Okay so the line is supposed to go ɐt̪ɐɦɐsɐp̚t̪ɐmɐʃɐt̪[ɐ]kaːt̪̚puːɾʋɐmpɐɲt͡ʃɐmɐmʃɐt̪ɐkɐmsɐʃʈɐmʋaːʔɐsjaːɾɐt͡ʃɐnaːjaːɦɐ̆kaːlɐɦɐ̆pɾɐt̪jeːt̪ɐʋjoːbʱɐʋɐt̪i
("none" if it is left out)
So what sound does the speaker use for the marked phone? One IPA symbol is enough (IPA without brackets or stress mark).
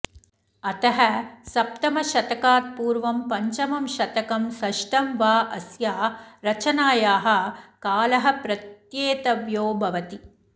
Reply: ɐ